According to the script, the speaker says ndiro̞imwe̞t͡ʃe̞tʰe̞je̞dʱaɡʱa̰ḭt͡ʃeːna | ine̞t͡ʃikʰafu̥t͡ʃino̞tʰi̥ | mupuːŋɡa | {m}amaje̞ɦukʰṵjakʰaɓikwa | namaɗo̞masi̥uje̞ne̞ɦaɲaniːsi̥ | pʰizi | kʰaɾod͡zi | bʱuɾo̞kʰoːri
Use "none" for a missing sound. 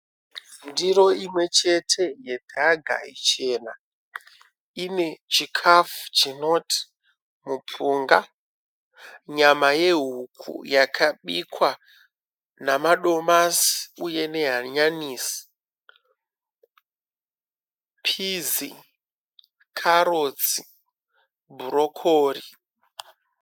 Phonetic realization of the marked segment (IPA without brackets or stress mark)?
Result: ɲ